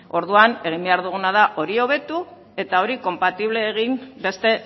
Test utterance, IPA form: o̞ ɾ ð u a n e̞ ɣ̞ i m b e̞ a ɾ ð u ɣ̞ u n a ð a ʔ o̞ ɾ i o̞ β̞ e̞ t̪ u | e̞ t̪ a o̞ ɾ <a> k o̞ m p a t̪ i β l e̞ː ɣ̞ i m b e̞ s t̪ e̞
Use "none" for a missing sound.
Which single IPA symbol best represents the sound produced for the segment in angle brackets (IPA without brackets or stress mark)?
i